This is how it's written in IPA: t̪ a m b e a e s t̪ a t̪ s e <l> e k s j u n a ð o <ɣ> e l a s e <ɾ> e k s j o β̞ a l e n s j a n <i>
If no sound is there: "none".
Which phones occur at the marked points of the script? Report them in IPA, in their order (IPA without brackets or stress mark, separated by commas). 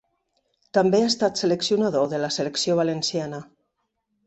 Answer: l, ð, l, a